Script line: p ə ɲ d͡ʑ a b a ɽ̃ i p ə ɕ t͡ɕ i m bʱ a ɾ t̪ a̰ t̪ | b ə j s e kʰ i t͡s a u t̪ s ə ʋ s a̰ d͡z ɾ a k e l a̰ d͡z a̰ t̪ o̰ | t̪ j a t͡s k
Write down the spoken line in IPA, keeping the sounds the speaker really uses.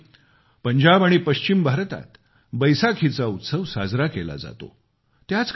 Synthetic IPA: p ə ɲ d͡ʑ a b a ɽ̃ i p ə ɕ t͡ɕ i m bʱ a ɾ t̪ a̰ t̪ | b ə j s a kʰ i t͡s a u t̪ s ə ʋ s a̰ d͡z ɾ a k e l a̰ d͡z a̰ t̪ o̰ | t̪ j a t͡s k